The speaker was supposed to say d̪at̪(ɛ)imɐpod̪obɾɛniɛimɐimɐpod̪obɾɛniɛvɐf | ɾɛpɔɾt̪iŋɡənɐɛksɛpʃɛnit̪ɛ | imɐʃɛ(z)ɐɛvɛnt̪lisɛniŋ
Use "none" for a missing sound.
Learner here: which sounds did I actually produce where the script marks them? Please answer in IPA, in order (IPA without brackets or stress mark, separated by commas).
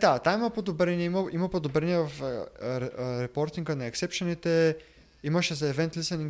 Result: a, z